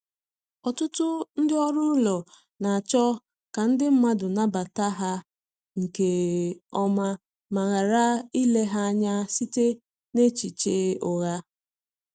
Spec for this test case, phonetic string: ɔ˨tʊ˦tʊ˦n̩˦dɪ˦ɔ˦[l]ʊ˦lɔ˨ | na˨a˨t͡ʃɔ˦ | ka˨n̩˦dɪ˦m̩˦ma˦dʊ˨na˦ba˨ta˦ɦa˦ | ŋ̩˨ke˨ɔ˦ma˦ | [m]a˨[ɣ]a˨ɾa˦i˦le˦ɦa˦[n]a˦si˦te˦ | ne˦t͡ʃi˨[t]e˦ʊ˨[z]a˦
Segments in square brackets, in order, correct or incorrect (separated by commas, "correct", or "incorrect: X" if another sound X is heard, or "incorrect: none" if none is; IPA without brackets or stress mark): incorrect: ɾ, correct, correct, incorrect: ɲ, incorrect: t͡ʃ, incorrect: ɣ